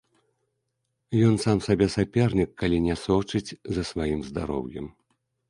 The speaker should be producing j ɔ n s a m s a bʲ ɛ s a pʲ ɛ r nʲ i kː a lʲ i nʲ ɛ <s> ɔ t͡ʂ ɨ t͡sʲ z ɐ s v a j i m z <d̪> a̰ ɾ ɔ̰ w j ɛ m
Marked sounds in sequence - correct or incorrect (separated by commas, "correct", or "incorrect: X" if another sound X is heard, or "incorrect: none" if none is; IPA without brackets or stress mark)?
correct, correct